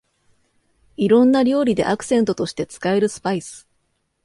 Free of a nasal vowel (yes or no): no